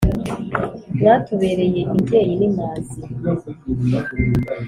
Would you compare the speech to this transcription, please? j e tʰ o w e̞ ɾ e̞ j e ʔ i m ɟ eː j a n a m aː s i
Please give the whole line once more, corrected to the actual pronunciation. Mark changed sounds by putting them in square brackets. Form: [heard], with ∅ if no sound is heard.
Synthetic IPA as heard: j [a] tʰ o [β] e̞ ɾ e̞ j e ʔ i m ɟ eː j [i] n [i] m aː [z] i